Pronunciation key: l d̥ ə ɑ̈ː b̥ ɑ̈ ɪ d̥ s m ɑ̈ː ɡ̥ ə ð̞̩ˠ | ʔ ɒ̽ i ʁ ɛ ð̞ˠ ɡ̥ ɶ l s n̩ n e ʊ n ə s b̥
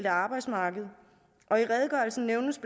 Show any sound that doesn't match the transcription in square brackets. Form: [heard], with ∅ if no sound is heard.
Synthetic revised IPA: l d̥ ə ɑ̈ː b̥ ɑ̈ ɪ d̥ s m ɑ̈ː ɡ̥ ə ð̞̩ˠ | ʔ ɒ̽ i ʁ ɛ ð̞ˠ ɡ̥ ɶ l s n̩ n e ʊ n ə s b̥